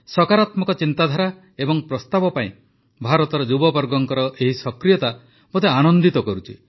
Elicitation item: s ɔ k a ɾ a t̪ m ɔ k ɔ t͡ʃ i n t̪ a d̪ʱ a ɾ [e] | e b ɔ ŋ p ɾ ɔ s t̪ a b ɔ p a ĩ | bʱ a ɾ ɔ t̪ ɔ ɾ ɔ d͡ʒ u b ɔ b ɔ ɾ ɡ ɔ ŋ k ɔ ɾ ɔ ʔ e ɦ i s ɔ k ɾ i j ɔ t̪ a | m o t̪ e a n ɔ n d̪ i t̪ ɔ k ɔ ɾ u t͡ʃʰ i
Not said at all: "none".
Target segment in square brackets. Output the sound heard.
a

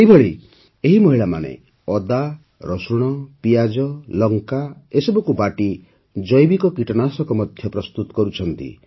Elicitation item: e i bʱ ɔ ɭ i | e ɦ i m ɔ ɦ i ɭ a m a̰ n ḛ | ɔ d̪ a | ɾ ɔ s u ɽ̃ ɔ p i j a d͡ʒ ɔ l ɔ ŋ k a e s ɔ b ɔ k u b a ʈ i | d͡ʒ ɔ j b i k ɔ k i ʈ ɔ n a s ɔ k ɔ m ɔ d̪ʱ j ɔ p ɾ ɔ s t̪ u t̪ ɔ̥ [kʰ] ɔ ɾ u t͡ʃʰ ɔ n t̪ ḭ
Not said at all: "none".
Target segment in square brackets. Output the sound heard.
k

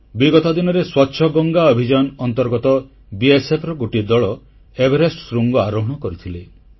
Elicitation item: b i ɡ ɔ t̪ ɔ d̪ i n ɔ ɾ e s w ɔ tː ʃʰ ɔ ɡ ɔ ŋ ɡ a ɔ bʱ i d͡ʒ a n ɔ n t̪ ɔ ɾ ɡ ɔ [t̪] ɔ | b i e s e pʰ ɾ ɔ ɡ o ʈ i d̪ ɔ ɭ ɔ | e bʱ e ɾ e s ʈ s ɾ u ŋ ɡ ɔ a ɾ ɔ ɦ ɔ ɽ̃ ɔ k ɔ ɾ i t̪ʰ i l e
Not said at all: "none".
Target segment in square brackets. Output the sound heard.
t̪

